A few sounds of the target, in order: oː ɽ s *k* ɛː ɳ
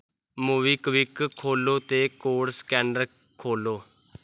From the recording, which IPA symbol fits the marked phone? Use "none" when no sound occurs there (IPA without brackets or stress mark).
k